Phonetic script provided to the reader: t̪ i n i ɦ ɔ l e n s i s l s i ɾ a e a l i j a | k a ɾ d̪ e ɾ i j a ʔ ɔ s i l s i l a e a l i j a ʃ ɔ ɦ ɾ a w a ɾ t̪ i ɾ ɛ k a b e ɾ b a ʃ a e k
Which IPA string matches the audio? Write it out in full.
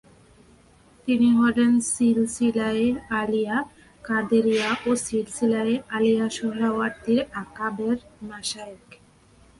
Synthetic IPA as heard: t̪ i n i ɦ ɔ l e n s i l s i l a e a l i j a | k a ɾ d̪ e ɾ i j a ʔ o s i l s i l a e a l i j a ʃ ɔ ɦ ɾ a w a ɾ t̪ i ɾ a k a b e ɾ m a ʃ a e k